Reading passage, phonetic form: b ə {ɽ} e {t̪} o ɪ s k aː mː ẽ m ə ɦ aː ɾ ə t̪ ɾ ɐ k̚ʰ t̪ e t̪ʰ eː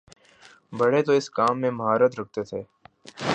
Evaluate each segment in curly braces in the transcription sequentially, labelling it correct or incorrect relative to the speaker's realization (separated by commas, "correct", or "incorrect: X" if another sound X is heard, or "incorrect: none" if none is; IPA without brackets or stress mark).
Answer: correct, correct